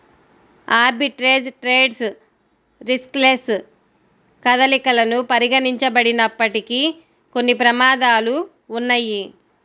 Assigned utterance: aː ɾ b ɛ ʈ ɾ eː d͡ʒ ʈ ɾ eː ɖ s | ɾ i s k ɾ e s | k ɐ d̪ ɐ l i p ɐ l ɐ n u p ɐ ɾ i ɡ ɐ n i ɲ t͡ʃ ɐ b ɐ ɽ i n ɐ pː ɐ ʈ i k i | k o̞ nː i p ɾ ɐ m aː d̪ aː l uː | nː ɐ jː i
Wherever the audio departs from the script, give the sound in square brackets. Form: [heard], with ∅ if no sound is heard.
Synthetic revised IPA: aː ɾ b [i] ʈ ɾ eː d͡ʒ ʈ ɾ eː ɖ s | ɾ i s k [l] e s | k ɐ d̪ ɐ l i [k] ɐ l ɐ n u p ɐ ɾ i ɡ ɐ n i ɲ t͡ʃ ɐ b ɐ ɽ i n ɐ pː ɐ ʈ i k i | k o̞ nː i p ɾ ɐ m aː d̪ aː l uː | nː ɐ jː i